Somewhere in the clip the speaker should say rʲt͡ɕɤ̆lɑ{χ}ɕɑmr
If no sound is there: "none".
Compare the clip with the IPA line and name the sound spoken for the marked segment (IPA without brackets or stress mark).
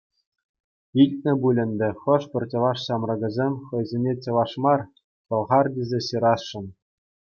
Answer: ʂ